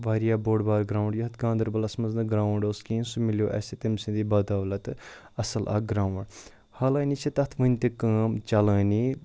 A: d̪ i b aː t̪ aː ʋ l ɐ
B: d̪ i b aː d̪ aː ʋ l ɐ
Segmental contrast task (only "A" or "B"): B